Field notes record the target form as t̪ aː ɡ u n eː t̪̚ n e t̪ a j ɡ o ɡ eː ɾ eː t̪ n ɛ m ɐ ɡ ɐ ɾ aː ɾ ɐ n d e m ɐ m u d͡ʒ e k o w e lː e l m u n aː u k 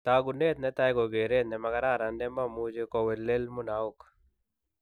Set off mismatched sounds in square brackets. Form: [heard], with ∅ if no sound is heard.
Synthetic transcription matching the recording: t̪ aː ɡ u n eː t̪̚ n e t̪ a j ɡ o ɡ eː ɾ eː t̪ n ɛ m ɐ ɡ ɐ ɾ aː ɾ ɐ n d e m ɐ m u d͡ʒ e k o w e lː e l m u n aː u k

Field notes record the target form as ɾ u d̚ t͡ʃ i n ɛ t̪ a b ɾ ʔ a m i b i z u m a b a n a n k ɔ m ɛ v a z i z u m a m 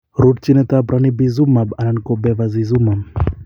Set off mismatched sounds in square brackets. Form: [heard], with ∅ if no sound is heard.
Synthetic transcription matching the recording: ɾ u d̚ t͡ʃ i n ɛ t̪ a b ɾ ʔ a [n] i b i z u m a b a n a n k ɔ [b] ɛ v a z i z u m a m

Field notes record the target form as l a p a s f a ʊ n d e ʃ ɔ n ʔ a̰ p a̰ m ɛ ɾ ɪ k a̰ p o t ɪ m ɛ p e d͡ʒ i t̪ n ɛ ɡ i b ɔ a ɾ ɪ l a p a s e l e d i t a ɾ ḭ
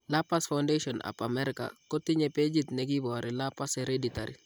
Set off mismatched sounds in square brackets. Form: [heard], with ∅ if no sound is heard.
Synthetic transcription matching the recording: l a p a s f a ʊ n d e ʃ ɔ n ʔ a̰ p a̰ m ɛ ɾ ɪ k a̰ [k] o t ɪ [ɲ] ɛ p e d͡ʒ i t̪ n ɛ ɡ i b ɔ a ɾ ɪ l a p a s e [ɾ] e d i t a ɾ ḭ

